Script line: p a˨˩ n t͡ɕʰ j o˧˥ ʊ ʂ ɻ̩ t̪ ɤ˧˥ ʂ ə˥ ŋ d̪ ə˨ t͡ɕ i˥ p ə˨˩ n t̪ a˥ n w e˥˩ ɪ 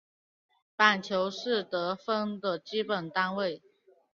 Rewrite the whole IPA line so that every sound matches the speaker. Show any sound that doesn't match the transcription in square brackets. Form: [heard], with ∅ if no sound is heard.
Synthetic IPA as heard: p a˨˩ n t͡ɕʰ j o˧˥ ʊ ʂ ɻ̩ t̪ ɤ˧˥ [f] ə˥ ŋ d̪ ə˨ t͡ɕ i˥ p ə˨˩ n t̪ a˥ n w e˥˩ ɪ